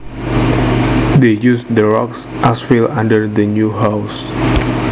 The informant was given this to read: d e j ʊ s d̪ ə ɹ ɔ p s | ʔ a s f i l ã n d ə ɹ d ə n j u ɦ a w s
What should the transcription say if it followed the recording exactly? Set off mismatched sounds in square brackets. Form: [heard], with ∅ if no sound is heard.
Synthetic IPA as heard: d e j [u] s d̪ ə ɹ ɔ [k] s | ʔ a s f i l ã n d ə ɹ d ə n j u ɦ a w s